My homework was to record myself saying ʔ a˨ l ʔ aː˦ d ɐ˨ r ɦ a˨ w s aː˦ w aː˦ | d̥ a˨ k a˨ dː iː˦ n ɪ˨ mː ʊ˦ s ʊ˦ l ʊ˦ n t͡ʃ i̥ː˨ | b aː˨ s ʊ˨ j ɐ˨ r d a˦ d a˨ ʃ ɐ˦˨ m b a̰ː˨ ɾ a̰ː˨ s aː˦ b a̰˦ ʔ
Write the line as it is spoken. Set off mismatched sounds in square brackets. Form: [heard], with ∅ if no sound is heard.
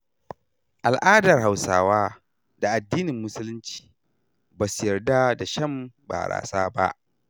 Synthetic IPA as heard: ʔ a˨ l ʔ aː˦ d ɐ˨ r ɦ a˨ w s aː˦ w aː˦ | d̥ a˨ [ʔ] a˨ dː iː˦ n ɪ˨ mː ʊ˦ s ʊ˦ l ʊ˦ n t͡ʃ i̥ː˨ | b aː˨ s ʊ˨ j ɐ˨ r d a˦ d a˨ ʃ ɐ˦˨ m b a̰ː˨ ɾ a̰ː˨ s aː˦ b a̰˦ ʔ